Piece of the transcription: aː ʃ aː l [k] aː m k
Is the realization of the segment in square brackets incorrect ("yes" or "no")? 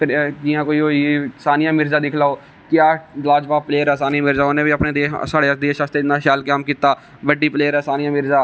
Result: no